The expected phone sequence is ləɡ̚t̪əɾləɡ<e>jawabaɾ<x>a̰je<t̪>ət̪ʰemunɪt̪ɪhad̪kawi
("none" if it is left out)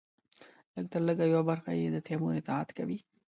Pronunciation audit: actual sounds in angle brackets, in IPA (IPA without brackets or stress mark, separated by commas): a, x, d̪